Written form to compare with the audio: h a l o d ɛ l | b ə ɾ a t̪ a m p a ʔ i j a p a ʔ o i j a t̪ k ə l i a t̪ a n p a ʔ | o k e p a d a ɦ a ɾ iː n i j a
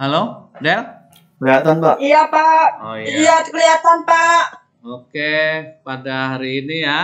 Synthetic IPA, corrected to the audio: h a l o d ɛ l | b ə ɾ a t̪ a n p a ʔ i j a p a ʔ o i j a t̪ k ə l i a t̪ a n p a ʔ | o k e p a d a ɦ a ɾ iː n i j a